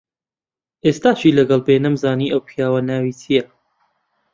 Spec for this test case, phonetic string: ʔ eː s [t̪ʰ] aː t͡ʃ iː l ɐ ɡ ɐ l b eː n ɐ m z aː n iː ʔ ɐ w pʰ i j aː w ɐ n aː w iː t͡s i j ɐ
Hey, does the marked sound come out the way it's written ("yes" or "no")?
no